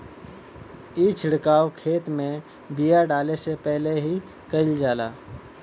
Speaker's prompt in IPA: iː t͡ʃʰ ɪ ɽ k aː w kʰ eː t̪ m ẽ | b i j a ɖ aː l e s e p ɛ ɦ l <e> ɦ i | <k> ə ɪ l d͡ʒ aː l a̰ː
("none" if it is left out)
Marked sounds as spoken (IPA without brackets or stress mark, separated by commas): e, k